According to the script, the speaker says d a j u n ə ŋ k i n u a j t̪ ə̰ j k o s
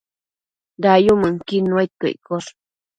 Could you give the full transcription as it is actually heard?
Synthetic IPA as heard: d a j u m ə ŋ k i n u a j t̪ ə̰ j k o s